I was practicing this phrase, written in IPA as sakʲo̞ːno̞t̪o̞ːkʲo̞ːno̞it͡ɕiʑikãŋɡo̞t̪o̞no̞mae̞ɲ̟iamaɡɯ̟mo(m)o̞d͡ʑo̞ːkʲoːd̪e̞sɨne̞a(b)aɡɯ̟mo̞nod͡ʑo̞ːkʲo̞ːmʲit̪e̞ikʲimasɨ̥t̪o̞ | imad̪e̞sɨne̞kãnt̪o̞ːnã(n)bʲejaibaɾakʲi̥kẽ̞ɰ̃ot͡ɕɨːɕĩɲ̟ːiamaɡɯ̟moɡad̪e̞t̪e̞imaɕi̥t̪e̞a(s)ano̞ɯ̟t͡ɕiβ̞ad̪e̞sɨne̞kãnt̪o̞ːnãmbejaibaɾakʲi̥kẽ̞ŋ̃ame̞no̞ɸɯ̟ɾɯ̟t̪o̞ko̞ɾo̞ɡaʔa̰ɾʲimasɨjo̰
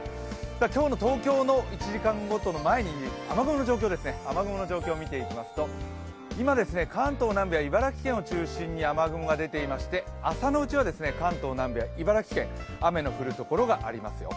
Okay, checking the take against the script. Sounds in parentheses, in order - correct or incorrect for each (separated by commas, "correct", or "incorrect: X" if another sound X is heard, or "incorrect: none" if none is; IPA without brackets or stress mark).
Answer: incorrect: n, incorrect: m, incorrect: m, correct